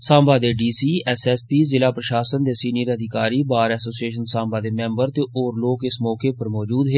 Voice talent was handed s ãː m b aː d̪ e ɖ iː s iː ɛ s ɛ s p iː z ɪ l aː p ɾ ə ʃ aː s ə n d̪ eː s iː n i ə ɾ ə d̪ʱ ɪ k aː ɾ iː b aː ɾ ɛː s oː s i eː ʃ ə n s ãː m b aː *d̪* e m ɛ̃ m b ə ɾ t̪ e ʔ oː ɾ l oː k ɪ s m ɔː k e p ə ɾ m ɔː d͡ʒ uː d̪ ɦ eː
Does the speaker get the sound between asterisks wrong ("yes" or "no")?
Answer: no